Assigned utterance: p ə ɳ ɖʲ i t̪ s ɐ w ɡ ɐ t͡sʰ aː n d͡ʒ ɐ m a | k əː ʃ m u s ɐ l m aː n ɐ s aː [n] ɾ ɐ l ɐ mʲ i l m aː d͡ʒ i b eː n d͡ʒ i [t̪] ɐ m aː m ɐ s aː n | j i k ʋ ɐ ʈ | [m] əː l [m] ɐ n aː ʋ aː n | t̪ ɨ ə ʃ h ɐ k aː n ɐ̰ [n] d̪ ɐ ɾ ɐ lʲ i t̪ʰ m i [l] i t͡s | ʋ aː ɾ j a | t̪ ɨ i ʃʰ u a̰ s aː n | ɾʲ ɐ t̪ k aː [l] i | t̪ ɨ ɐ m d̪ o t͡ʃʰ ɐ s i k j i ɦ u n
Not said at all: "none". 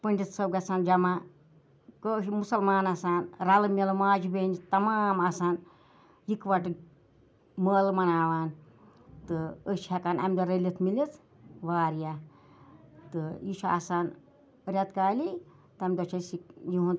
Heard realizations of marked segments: n, t̪, m, m, m, l, l

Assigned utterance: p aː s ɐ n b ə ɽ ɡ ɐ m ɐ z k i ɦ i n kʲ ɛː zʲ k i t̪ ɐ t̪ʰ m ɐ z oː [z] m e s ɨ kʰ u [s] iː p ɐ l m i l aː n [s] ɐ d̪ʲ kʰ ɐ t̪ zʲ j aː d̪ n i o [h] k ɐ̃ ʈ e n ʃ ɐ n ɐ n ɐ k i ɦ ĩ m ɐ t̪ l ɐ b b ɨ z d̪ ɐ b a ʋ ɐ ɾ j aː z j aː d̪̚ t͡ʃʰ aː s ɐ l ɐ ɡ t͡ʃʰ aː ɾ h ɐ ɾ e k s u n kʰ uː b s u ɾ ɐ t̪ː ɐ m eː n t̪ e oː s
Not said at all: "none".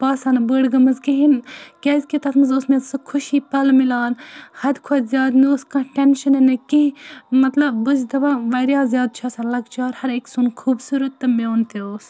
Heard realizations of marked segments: s, ʃ, h, s

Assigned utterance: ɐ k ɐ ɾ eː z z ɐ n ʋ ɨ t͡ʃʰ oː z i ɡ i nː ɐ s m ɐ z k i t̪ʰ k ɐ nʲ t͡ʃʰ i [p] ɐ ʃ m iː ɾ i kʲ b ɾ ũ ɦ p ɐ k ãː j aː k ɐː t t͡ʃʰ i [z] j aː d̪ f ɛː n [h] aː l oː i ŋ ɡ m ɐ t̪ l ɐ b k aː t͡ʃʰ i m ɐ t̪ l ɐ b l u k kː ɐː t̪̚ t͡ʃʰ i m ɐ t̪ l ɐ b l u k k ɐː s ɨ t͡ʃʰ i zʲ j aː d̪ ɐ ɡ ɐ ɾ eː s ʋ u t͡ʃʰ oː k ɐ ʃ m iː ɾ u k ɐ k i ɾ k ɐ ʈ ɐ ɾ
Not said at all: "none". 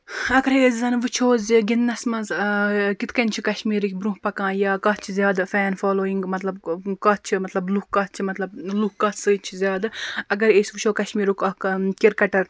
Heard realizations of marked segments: k, z, f

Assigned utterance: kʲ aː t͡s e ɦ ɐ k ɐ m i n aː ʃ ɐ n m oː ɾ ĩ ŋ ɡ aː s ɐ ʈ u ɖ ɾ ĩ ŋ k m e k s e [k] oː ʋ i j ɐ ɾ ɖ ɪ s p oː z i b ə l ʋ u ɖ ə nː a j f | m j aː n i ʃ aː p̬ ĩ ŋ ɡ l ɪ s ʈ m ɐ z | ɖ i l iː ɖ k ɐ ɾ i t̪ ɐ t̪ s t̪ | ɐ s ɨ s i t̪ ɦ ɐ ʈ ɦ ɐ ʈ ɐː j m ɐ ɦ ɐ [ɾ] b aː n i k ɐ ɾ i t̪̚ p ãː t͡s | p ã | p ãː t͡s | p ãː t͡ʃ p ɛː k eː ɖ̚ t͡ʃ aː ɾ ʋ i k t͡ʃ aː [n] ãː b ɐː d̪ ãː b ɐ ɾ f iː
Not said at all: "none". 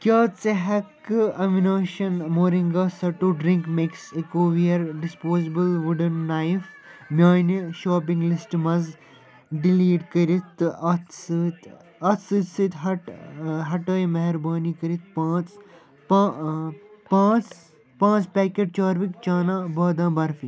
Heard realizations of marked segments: k, ɾ, n

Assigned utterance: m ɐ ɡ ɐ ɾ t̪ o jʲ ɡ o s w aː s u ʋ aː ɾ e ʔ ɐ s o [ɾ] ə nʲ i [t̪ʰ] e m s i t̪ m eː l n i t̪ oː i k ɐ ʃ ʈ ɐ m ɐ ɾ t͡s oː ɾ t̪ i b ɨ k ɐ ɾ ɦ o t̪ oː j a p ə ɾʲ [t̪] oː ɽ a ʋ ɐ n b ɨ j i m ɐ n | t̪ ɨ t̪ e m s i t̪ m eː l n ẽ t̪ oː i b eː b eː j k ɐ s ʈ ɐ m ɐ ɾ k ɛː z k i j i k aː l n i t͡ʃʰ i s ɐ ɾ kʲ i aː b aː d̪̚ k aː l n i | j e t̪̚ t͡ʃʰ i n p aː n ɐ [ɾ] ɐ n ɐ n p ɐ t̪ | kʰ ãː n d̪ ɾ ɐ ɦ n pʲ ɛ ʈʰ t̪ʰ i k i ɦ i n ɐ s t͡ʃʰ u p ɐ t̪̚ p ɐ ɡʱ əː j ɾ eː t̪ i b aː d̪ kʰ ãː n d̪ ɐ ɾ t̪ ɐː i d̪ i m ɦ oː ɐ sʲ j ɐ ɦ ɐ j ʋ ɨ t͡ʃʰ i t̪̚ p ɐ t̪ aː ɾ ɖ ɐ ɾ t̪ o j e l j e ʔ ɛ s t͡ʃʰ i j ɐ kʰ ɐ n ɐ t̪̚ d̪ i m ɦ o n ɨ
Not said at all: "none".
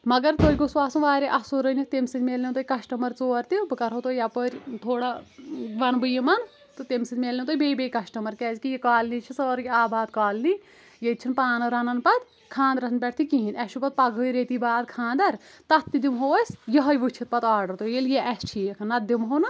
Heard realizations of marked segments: ɾ, t̪, t̪ʰ, ɾ

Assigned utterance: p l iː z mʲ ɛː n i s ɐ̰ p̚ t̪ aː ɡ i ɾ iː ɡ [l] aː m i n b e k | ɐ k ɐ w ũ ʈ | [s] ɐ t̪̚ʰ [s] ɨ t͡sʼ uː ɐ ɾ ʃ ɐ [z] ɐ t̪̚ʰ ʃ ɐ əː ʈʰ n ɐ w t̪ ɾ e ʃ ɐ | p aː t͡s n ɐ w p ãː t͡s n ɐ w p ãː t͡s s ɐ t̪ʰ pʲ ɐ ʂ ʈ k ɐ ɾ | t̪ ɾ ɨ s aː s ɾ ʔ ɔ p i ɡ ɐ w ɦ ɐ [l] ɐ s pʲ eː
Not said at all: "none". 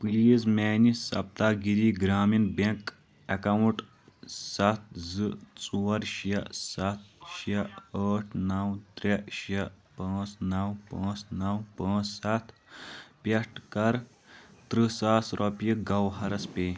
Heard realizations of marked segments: ɾ, s, z, s, ɾ

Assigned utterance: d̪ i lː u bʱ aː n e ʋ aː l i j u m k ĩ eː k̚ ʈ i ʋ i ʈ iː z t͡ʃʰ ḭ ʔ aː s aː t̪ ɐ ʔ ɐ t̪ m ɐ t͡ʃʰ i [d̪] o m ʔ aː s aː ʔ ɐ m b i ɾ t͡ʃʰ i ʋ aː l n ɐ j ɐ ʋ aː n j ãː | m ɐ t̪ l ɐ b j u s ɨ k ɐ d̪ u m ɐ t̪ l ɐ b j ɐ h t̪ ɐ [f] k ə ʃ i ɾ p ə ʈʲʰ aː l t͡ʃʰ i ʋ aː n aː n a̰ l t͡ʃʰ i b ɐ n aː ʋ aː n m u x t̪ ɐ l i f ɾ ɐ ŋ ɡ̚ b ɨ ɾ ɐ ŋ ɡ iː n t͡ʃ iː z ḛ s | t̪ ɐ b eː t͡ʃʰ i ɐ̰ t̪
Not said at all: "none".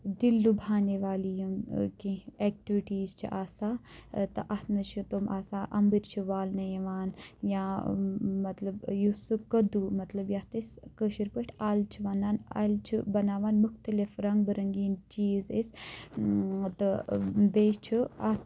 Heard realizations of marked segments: t̪, s

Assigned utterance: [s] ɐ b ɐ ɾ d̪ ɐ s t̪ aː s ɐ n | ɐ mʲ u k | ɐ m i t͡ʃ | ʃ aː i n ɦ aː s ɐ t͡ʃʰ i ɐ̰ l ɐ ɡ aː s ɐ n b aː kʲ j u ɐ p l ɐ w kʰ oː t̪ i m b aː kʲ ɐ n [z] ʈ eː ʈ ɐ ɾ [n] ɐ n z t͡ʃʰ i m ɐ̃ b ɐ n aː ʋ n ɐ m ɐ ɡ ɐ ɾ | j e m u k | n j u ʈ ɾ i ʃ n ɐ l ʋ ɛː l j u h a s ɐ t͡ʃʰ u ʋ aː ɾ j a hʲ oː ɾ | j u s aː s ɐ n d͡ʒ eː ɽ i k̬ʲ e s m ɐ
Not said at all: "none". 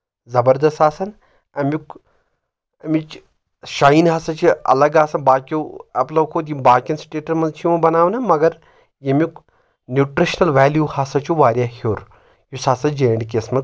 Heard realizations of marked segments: z, s, m

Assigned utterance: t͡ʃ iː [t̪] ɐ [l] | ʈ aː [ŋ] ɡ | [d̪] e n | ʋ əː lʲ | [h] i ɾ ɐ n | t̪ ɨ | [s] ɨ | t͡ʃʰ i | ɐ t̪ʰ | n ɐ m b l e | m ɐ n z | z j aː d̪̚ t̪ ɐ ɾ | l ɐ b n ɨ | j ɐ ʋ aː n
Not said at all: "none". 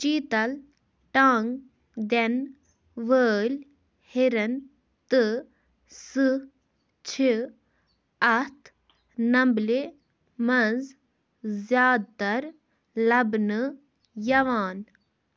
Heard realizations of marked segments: t̪, l, ŋ, d̪, h, s

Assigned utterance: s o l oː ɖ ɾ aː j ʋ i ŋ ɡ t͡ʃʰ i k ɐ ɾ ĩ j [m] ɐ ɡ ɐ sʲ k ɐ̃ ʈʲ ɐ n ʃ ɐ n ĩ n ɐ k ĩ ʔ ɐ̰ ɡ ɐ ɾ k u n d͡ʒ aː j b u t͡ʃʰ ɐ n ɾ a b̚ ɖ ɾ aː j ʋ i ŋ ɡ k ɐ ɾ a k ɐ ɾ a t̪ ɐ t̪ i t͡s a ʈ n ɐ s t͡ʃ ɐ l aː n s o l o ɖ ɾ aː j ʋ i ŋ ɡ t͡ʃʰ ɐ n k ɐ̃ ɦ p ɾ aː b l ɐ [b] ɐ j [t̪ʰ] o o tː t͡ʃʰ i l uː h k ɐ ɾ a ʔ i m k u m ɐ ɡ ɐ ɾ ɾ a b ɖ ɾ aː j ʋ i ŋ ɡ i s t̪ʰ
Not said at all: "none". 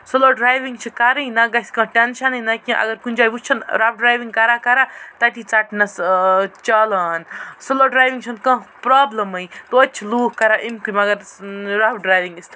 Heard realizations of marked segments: n, m, t̪

